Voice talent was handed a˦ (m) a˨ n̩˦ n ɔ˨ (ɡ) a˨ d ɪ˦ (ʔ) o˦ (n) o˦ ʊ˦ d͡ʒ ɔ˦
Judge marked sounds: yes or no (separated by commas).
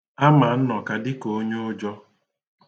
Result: yes, no, no, no